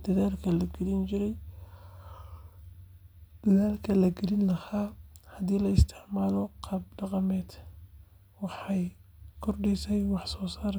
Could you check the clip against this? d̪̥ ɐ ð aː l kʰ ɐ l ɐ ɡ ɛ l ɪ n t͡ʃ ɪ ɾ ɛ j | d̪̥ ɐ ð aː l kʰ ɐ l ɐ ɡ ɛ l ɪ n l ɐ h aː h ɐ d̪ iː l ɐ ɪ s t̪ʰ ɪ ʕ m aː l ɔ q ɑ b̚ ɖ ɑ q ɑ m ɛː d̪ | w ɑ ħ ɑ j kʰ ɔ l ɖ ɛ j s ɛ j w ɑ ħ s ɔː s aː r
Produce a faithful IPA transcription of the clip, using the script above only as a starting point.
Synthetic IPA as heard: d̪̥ ɐ ð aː l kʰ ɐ l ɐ ɡ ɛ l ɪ n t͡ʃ ɪ ɾ ɛ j | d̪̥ ɐ ð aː l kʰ ɐ l ɐ ɡ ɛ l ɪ n l ɐ h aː h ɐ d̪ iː l ɐ ɪ s t̪ʰ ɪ ʕ m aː l ɔ q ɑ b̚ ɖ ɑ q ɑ m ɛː d̪ | w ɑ ħ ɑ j kʰ ɔ r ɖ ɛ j s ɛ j w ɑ ħ s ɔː s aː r